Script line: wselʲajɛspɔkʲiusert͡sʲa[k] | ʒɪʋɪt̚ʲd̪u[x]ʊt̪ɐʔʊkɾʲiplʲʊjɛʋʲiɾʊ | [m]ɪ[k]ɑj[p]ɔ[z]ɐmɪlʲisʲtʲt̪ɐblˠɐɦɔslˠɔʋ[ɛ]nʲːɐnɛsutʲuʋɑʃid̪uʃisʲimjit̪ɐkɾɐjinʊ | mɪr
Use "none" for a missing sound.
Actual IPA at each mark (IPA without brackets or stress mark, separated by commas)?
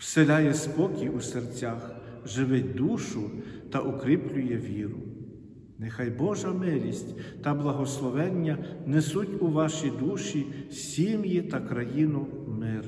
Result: x, ʃ, n, x, b, ʒ, ɛ